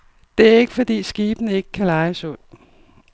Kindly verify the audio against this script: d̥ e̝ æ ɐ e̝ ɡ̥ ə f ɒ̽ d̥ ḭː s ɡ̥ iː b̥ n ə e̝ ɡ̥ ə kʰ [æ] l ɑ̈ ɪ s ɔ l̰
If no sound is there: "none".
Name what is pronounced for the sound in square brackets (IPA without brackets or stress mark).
æ